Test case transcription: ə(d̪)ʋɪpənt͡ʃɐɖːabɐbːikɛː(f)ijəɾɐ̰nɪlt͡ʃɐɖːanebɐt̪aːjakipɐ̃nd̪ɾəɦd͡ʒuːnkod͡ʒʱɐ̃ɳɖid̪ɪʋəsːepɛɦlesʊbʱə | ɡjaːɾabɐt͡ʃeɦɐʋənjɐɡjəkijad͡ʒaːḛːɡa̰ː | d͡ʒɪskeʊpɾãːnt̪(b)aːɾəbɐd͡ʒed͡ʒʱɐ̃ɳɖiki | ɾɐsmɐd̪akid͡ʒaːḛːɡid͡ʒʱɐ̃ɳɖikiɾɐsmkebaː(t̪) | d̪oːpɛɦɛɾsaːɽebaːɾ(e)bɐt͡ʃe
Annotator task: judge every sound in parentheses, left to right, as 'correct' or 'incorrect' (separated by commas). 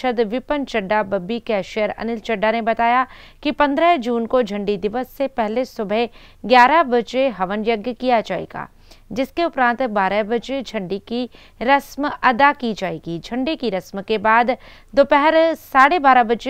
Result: correct, incorrect, correct, incorrect, incorrect